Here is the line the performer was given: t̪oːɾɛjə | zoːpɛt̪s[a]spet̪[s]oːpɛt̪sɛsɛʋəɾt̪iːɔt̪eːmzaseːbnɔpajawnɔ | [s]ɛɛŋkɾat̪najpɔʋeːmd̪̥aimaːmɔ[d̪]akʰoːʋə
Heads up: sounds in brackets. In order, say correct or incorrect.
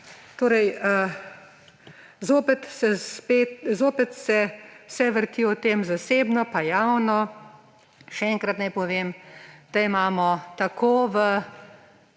incorrect: ɛ, incorrect: z, incorrect: ʃ, incorrect: t̪

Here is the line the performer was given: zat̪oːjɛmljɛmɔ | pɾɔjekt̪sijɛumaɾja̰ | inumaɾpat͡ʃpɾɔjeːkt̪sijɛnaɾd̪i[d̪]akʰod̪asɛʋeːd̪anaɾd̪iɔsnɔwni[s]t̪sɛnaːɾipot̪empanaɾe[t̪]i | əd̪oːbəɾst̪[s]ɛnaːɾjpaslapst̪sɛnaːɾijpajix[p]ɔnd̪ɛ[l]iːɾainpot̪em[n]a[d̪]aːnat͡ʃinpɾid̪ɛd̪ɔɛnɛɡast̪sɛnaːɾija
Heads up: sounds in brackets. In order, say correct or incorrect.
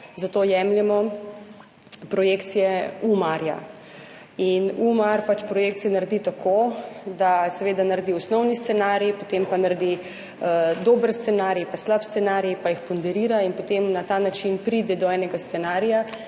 incorrect: t̪, correct, incorrect: d̪, correct, correct, incorrect: ɾ, correct, incorrect: t̪

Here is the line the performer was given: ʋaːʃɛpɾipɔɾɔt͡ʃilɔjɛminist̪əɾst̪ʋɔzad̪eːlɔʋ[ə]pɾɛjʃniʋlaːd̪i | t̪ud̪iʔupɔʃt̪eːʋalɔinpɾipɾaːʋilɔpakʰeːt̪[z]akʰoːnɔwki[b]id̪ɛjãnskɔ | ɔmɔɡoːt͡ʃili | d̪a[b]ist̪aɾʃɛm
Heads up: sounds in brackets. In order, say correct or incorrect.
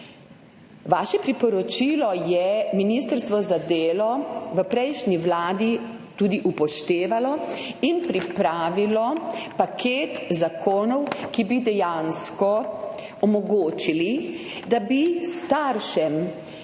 correct, correct, correct, correct

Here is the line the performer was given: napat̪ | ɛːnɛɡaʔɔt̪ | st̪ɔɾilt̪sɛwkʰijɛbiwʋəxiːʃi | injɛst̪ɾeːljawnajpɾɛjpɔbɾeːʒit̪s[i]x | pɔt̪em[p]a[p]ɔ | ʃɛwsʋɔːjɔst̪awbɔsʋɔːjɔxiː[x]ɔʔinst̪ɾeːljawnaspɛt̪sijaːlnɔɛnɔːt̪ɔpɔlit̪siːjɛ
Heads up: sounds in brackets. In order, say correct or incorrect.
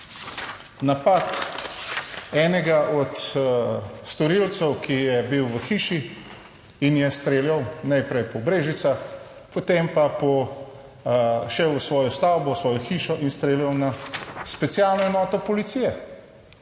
incorrect: a, correct, correct, incorrect: ʃ

